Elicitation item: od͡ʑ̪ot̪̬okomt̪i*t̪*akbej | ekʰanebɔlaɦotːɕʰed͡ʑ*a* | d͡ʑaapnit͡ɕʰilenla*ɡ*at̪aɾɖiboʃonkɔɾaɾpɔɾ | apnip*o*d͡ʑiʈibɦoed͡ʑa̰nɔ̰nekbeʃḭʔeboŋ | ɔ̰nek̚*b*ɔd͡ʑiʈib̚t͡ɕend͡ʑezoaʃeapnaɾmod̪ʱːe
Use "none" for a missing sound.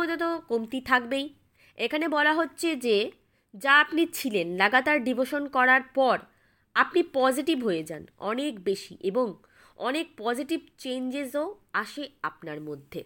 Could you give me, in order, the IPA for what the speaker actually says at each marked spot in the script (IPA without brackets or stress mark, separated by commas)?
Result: t̪ʰ, e, ɡ, ɔ, p